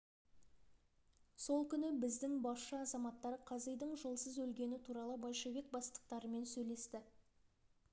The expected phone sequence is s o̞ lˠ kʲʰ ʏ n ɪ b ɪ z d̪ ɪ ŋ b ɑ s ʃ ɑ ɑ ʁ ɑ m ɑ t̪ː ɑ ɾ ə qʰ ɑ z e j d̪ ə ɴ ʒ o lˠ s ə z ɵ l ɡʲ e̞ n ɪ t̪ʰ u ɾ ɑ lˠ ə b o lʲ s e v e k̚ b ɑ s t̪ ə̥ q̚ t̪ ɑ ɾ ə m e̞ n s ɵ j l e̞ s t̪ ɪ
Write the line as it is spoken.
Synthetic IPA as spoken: s o̞ lˠ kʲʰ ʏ n ɪ b ɪ z d̪ ɪ ŋ b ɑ s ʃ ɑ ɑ z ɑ m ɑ t̪ː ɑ ɾ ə qʰ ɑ z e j d̪ ə ɴ ʒ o lˠ s ə z ɵ l ɡʲ e̞ n ɪ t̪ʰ u ɾ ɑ lˠ ə b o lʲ ʃ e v e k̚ b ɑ s t̪ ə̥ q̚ t̪ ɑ ɾ ə m e̞ n s ɵ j l e̞ s t̪ ɪ